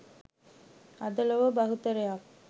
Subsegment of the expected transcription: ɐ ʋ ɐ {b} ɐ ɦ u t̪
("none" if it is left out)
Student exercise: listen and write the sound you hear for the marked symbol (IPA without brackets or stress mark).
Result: b